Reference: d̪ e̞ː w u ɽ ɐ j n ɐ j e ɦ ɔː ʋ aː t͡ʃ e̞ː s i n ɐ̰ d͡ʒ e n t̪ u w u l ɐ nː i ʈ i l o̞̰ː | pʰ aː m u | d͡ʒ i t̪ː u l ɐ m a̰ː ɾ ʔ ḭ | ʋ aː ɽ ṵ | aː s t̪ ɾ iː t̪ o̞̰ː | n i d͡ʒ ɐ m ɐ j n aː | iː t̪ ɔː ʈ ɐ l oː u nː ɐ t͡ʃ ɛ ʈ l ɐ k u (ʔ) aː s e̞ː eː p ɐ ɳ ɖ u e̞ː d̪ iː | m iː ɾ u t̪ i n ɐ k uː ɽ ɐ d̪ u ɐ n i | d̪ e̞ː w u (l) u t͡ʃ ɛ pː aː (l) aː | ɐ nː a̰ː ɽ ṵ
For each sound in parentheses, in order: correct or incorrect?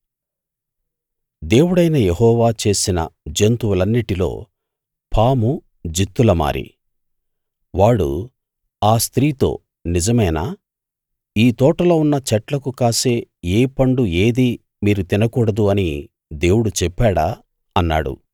incorrect, incorrect, incorrect

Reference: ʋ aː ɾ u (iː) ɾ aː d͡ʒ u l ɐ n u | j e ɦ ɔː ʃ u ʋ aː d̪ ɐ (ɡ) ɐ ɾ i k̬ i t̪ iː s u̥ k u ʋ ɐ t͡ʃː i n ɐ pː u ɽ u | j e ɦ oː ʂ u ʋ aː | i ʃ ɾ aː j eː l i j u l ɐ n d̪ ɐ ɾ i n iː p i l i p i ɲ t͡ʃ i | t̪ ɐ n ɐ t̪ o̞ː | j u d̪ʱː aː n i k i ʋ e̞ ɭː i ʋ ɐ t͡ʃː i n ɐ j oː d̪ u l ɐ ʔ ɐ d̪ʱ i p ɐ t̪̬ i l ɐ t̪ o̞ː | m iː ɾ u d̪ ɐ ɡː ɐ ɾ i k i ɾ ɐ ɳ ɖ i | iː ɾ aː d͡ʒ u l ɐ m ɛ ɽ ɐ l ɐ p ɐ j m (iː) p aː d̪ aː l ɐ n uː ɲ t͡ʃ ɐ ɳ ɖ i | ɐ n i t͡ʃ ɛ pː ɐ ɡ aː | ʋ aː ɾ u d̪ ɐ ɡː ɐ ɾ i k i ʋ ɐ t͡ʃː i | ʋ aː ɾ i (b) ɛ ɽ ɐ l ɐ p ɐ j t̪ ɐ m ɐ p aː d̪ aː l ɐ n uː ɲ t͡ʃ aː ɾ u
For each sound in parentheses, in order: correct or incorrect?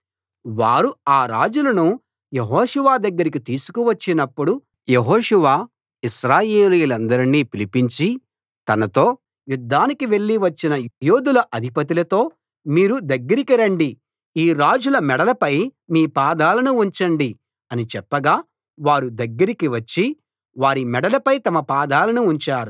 incorrect, incorrect, correct, incorrect

